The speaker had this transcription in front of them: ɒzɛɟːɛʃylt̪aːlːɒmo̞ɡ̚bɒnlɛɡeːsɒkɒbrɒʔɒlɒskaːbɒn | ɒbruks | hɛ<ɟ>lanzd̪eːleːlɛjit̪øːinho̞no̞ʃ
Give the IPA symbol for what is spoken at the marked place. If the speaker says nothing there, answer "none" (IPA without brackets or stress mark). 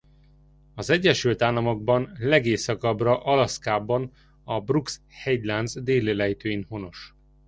ɟ